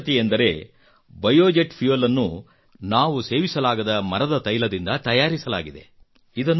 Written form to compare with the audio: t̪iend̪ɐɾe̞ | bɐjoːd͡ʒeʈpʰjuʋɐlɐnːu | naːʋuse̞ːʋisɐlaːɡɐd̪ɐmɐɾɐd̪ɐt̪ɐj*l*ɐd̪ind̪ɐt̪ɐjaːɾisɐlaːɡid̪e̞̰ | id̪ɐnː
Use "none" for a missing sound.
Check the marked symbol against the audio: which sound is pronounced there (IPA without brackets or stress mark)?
l